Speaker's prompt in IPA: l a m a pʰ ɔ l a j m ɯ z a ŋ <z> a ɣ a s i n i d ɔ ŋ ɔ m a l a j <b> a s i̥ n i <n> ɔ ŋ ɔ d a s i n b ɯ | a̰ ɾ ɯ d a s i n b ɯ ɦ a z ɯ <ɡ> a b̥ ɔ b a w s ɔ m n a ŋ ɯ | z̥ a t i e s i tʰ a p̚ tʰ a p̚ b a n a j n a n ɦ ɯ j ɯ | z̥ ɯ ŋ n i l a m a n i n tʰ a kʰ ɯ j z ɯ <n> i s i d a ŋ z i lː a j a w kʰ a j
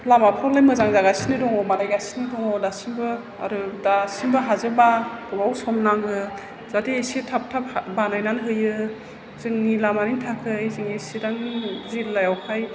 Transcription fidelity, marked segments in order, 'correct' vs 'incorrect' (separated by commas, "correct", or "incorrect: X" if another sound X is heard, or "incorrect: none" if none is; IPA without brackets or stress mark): correct, incorrect: ɡ, incorrect: d, incorrect: b, incorrect: ŋ